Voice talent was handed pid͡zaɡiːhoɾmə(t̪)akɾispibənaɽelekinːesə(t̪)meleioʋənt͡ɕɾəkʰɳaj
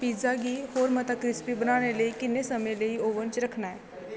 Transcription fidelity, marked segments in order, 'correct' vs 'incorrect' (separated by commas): correct, incorrect